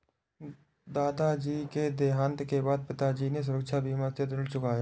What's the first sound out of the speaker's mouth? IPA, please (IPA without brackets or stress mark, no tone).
d̪